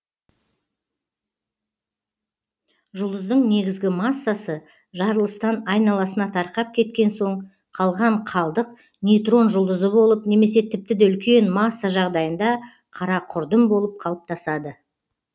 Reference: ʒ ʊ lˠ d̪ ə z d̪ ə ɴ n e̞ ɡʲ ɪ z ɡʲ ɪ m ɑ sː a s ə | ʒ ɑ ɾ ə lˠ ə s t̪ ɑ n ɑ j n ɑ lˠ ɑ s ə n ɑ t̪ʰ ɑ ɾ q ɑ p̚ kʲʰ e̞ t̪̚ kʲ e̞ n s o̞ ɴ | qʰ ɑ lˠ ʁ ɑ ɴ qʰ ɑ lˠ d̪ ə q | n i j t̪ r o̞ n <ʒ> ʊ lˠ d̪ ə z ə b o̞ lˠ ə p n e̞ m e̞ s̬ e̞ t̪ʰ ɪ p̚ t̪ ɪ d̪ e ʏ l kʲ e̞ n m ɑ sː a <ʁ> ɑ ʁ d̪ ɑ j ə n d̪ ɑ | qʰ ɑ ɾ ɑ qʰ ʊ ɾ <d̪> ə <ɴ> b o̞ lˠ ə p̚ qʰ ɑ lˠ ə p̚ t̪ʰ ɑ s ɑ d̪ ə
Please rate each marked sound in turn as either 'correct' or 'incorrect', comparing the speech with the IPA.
correct, incorrect: ʒ, correct, incorrect: m

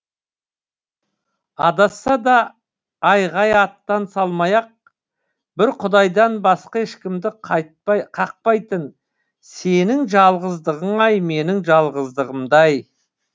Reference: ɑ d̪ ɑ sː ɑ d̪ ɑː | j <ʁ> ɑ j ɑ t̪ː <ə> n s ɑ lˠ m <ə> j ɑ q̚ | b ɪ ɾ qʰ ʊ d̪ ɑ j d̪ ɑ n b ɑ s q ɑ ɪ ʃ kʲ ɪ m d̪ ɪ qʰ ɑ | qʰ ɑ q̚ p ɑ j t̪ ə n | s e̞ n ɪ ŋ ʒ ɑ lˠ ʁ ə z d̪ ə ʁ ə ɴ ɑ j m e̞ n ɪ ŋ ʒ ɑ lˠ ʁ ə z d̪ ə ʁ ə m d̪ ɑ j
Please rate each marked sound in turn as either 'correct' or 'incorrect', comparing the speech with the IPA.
correct, incorrect: ɑ, incorrect: ɑ

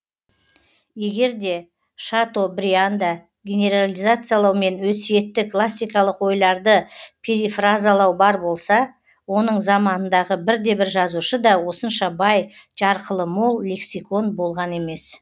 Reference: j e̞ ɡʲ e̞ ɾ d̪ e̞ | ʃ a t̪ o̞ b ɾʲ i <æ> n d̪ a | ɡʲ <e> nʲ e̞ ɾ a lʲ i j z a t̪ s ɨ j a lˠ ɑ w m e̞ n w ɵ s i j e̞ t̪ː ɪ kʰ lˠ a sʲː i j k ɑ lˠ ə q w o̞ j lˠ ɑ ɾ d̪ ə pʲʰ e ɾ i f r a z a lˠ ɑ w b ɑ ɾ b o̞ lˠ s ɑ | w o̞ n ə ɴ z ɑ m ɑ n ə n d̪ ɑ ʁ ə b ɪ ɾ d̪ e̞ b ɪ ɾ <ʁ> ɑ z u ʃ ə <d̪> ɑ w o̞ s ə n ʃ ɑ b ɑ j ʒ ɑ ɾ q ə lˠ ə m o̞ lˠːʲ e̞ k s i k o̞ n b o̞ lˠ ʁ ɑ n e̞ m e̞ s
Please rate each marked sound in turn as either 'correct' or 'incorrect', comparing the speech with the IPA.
incorrect: a, correct, incorrect: ʒ, correct

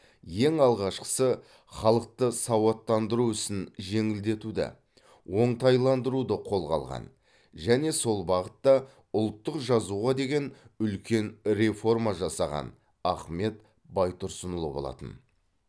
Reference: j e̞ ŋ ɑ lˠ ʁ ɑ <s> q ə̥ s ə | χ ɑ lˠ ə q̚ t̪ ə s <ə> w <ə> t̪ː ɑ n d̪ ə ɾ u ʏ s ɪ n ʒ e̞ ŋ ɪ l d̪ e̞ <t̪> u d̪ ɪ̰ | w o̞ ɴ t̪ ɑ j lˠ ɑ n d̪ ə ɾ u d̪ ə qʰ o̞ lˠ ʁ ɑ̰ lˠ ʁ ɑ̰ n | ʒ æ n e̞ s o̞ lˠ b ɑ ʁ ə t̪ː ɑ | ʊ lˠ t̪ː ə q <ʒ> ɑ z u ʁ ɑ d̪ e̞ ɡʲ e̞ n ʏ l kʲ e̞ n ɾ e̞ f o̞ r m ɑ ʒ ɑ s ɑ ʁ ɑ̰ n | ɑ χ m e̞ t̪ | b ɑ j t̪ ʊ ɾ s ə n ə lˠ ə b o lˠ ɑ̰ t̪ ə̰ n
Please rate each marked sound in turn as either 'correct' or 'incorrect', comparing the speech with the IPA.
incorrect: ʃ, incorrect: ɑ, incorrect: ɑ, correct, correct

